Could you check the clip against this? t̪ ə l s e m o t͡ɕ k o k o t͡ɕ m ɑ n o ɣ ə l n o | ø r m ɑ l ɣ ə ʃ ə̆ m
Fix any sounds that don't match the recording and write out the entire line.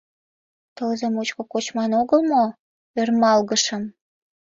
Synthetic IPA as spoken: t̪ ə l z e m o t͡ɕ k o k o t͡ɕ m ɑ n o ɣ ə l m o | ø r m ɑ l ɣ ə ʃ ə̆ m